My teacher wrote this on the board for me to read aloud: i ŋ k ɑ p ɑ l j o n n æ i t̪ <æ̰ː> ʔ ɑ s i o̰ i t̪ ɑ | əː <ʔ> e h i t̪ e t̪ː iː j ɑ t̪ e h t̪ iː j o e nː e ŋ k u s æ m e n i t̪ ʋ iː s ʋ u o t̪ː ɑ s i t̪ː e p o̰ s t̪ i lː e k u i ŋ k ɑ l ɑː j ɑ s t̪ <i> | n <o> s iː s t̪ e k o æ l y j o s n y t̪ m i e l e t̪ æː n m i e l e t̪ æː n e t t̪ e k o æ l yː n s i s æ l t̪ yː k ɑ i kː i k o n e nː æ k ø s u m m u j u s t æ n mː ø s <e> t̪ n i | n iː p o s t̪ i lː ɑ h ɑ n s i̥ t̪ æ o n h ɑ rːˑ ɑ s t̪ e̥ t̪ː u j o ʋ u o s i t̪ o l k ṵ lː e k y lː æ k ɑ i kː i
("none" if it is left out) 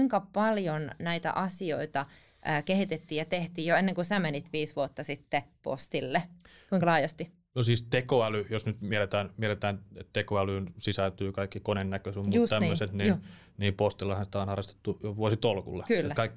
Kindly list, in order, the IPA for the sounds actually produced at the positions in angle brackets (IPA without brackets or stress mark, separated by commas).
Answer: æ̰, k, i, o, e